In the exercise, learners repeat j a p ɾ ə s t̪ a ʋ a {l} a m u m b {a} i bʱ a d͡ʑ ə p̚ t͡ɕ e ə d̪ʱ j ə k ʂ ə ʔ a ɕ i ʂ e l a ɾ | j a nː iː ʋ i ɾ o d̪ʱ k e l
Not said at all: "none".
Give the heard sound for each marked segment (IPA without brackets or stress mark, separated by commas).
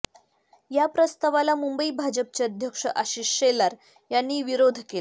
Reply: l, ə